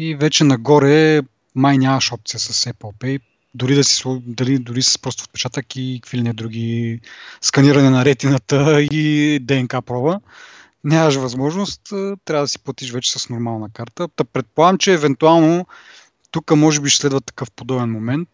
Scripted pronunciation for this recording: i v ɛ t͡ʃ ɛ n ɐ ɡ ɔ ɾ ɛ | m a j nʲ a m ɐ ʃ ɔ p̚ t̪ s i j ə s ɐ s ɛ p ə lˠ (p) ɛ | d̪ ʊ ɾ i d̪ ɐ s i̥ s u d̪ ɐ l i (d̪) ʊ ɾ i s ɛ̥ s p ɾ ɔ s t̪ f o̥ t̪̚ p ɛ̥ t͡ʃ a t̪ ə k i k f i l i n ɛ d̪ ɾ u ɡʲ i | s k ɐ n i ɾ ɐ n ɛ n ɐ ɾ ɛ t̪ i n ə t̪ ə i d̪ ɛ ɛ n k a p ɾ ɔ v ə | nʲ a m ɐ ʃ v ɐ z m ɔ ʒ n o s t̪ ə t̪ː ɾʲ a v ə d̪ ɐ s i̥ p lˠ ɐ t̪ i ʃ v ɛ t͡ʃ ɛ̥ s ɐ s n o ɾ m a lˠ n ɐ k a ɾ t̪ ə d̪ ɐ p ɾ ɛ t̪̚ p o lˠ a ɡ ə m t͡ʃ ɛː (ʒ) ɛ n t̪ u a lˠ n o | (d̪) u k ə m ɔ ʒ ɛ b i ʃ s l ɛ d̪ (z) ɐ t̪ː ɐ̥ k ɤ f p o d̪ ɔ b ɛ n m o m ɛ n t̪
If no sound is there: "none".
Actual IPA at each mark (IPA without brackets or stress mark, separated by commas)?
p, d̪, v, t̪, v